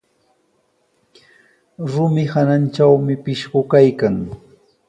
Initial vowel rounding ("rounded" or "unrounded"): rounded